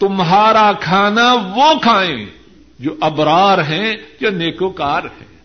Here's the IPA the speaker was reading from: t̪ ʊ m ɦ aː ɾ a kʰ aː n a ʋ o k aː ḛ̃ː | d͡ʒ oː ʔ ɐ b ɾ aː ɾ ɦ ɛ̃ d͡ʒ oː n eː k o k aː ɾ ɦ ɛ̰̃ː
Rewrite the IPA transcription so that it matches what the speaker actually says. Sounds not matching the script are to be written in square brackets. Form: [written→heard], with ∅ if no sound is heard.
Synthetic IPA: t̪ ʊ m ɦ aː ɾ a kʰ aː n a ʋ o [k→kʰ] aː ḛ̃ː | d͡ʒ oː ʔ ɐ b ɾ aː ɾ ɦ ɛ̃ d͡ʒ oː n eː k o k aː ɾ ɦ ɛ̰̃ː